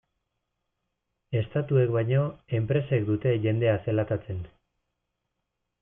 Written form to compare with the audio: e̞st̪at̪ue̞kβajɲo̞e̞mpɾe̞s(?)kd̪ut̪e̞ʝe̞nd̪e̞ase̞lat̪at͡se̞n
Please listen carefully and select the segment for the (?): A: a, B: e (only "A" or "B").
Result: B